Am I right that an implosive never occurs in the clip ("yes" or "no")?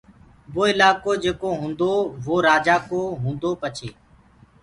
yes